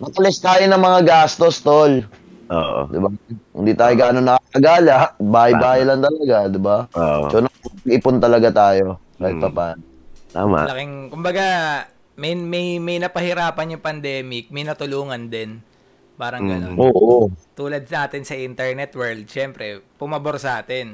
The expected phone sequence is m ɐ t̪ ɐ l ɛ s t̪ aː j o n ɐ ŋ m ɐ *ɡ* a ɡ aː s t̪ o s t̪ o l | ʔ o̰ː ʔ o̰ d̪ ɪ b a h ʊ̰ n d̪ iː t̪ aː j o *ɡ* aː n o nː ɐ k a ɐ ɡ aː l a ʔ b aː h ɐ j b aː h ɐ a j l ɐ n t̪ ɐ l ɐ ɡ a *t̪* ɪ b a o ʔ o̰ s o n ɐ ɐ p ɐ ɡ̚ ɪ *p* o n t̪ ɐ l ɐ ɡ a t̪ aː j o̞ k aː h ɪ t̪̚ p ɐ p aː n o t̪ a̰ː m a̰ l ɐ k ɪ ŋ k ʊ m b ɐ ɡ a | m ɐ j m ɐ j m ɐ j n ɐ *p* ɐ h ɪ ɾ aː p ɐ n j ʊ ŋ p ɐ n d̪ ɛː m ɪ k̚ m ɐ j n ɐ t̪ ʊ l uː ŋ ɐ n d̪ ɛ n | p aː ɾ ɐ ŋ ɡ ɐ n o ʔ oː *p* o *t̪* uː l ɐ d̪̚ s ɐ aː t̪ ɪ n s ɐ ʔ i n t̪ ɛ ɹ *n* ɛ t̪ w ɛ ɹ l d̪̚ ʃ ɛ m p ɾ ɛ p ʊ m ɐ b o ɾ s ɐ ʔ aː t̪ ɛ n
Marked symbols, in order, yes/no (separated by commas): no, yes, no, yes, yes, no, yes, yes